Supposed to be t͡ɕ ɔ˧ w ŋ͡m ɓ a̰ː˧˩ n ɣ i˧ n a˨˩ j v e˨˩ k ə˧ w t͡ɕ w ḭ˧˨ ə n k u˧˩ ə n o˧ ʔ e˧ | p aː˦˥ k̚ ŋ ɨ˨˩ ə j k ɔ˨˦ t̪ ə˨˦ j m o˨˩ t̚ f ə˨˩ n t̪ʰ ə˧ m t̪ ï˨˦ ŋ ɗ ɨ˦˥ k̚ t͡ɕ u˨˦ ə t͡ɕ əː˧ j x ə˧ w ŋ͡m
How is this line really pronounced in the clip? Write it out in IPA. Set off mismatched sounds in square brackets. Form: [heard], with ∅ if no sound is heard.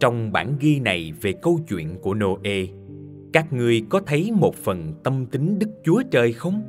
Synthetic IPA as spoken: t͡ɕ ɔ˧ w ŋ͡m ɓ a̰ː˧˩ n ɣ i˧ n a˨˩ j v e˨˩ k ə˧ w t͡ɕ w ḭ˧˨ ə n k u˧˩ ə n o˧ ʔ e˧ | [k] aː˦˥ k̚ ŋ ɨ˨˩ ə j k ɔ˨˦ [t̪ʰ] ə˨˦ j m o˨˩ t̚ f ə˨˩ n [t̪] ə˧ m t̪ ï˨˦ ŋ ɗ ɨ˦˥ k̚ t͡ɕ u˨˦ ə t͡ɕ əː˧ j x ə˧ w ŋ͡m